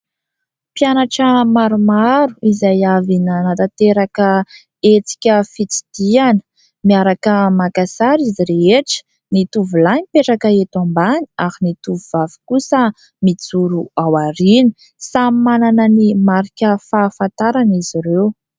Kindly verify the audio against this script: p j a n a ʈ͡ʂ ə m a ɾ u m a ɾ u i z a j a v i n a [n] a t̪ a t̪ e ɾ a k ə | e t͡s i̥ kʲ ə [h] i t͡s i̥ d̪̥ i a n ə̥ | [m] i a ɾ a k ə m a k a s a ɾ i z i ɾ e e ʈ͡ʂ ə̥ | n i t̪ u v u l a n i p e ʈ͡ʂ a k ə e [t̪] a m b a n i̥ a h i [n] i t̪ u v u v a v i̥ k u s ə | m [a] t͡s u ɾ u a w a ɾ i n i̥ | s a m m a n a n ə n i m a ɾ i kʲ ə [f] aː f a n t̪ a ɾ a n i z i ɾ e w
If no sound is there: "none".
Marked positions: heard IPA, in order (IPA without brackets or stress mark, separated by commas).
n, f, m, t̪, n, i, f